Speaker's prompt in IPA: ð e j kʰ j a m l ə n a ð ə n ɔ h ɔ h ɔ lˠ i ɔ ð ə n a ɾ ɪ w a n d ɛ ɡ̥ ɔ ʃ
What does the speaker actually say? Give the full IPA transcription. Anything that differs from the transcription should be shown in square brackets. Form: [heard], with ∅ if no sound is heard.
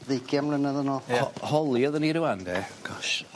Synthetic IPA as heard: ð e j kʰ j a m l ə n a ð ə n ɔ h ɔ h ɔ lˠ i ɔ ð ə n [i] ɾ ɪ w a n d ɛ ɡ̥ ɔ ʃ